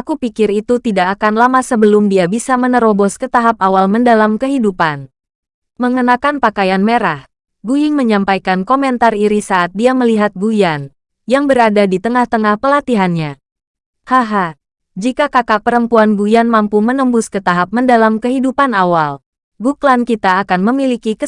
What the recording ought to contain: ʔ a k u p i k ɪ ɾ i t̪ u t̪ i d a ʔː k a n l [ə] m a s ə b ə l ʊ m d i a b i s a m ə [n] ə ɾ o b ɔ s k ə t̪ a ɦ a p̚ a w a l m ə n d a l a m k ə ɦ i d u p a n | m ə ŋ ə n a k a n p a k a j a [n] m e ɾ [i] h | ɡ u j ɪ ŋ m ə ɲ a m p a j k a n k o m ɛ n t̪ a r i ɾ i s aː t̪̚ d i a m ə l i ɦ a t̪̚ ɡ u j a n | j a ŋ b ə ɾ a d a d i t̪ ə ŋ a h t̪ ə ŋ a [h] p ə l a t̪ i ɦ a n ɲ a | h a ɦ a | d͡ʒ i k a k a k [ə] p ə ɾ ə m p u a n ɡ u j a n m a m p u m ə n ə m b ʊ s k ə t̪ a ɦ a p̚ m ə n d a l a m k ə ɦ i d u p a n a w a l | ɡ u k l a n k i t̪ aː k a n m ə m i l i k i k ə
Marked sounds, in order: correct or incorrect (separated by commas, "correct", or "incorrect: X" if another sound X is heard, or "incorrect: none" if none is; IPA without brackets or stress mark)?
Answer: incorrect: a, correct, correct, incorrect: a, correct, incorrect: a